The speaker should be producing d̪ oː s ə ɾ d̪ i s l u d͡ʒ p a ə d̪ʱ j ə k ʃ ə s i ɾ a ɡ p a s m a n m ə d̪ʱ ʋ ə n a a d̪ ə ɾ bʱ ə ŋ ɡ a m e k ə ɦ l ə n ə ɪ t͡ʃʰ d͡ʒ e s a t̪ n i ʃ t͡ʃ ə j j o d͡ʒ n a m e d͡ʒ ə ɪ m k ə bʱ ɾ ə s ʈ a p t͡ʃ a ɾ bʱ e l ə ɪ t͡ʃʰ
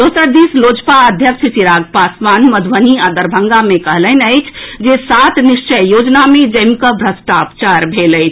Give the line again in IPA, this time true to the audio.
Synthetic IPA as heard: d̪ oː s ə ɾ d̪ i s l o d͡ʒ p a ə d̪ʱ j ə k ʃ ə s i ɾ a ɡ p a s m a n m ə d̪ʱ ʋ ə n i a d̪ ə ɾ bʱ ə ŋ ɡ a m e k ə ɦ l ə n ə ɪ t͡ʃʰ d͡ʒ e s a t̪ n i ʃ t͡ʃ ə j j o d͡ʒ n a m e d͡ʒ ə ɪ m k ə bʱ ɾ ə s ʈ a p t͡ʃ a ɾ bʱ e l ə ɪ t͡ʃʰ